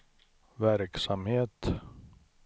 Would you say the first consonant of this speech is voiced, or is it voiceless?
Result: voiced